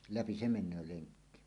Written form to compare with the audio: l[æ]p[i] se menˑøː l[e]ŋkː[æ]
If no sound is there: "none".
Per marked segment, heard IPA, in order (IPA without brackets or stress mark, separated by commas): æ, i, e, i